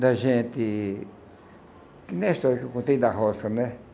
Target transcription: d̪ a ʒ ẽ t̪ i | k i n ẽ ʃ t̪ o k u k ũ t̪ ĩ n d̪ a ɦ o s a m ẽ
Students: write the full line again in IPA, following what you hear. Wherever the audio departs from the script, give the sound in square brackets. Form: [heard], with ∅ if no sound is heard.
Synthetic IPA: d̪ a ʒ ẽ t̪ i | k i n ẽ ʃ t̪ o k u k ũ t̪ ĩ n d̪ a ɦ o s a [n] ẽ